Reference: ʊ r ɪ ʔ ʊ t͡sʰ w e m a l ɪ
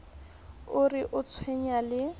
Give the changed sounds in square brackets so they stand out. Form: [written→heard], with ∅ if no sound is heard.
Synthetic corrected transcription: ʊ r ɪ ʔ ʊ t͡sʰ w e [m→ɲ] a l ɪ